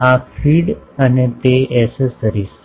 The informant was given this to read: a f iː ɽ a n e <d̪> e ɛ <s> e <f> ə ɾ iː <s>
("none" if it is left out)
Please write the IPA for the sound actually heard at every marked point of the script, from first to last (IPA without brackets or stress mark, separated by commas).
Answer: t̪, s, s, s